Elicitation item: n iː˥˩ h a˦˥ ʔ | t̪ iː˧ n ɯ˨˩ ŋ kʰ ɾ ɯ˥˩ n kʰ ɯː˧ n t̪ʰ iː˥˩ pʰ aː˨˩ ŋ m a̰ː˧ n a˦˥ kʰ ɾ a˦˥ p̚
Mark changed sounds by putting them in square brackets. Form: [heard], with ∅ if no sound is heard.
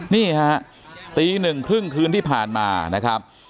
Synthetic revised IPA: n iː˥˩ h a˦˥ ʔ | t̪ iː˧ n ɯ˨˩ ŋ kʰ ɾ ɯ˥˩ [ŋ] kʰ ɯː˧ n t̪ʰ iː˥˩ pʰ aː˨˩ [n] m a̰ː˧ n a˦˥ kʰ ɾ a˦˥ p̚